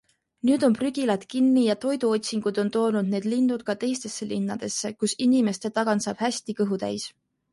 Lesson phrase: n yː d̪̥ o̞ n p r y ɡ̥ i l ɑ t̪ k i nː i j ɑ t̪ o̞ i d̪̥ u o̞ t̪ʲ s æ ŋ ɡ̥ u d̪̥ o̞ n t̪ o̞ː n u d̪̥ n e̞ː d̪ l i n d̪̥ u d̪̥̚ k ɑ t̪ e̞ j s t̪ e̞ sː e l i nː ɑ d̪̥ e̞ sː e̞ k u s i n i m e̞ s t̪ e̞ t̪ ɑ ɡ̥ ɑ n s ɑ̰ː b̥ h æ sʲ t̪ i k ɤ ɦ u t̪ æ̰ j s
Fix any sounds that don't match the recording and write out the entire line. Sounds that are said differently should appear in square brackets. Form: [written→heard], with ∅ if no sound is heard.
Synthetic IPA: n yː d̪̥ o̞ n p r y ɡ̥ i l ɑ t̪ k i nː i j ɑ t̪ o̞ [i→j] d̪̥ u o̞ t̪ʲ s [æ→i] ŋ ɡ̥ u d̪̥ o̞ n t̪ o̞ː n u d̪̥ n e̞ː d̪ l i n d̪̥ u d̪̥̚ k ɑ t̪ e̞ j s t̪ e̞ sː e l i nː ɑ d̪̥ e̞ sː e̞ k u s i n i m e̞ s t̪ e̞ t̪ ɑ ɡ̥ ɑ n s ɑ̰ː b̥ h æ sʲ t̪ i k ɤ ɦ u t̪ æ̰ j s